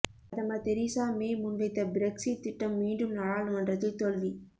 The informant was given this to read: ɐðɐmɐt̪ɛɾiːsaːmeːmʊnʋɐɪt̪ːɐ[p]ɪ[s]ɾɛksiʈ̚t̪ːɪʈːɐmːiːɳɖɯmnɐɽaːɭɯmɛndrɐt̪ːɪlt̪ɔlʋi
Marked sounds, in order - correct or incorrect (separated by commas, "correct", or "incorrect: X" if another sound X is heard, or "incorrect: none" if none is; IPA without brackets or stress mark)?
incorrect: b, incorrect: none